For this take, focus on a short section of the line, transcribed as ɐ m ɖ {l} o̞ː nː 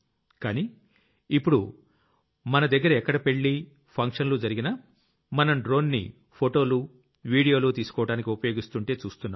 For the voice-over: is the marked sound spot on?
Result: no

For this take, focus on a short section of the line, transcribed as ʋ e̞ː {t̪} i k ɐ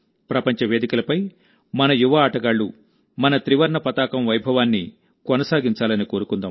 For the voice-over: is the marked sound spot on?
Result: no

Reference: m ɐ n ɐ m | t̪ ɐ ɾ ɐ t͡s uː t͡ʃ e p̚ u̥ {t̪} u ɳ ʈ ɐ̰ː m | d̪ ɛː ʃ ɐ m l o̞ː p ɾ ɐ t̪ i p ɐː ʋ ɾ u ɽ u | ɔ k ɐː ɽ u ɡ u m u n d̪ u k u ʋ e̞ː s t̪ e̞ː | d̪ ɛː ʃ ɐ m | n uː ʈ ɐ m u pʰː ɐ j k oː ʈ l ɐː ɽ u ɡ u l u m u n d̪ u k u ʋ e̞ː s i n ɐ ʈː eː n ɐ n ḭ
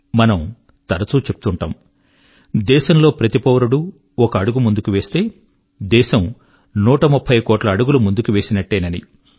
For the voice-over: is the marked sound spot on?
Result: yes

